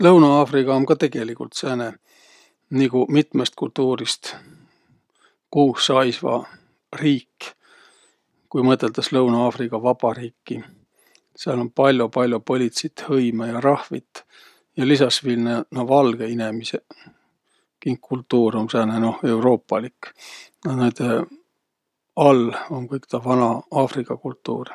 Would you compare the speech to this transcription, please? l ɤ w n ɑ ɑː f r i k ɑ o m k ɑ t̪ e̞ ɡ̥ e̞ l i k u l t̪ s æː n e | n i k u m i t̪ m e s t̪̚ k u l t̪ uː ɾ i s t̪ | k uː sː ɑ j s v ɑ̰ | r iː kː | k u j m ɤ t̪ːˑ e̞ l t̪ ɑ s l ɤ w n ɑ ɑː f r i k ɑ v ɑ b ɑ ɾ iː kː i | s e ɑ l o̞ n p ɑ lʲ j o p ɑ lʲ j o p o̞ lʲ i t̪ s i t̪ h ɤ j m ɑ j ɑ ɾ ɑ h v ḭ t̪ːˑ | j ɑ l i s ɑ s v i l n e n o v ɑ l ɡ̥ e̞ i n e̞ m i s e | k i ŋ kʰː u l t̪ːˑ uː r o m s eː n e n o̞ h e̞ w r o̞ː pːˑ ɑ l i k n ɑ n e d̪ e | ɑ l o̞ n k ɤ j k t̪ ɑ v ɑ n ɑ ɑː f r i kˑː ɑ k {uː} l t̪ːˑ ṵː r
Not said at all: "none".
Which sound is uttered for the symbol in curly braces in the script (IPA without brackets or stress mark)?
u